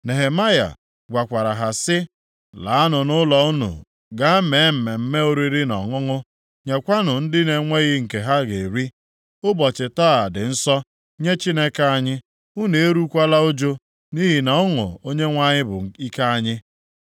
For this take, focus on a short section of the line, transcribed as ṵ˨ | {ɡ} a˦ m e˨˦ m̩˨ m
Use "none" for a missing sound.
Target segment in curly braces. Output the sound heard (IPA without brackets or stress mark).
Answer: ɡ